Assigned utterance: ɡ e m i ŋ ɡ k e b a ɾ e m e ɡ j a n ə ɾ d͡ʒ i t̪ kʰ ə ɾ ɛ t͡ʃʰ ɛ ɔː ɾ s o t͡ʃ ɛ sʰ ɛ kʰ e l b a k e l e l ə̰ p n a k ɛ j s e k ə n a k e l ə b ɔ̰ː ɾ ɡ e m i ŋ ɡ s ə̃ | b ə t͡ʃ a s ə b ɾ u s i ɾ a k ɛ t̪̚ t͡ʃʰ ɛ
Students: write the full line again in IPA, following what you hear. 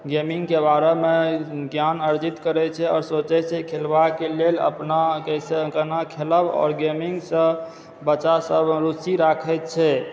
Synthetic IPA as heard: ɡ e m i ŋ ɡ k e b a ɾ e m e ɡ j a n ə ɾ d͡ʒ i t̪ k ə ɾ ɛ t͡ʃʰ ɛ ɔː ɾ s o t͡ʃ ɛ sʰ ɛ kʰ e l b a k e l e l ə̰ p n a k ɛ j s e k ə n a kʰ e l ə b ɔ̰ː ɾ ɡ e m i ŋ ɡ s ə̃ | b ə t͡ʃ a s ə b ɾ u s i ɾ a kʰ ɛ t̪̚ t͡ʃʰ ɛ